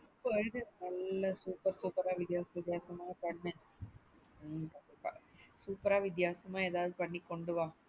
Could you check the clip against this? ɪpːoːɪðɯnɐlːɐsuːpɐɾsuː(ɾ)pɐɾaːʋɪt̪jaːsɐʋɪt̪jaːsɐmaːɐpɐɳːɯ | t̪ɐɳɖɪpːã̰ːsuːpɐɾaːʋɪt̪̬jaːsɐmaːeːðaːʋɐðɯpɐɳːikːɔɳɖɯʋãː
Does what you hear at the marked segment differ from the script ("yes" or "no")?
yes